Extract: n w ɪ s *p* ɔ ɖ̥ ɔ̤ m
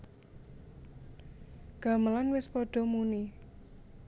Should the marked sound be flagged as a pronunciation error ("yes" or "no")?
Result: no